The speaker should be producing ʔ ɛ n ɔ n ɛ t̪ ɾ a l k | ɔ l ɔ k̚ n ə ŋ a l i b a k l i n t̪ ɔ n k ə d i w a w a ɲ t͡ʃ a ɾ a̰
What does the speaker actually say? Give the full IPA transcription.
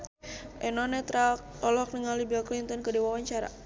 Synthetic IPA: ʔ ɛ n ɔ n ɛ t̪ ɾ a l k | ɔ l ɔ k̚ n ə ŋ a l i b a k l i n t̪ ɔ n k ə d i w a w a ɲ t͡ʃ a ɾ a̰